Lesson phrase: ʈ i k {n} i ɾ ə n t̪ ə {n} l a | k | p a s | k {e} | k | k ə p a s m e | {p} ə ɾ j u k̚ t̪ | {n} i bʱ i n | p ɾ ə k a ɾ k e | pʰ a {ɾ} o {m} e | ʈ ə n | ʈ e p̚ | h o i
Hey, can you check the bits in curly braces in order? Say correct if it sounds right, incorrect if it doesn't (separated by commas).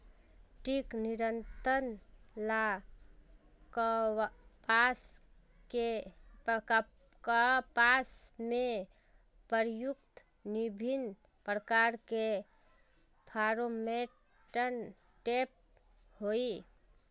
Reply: correct, correct, correct, correct, correct, correct, correct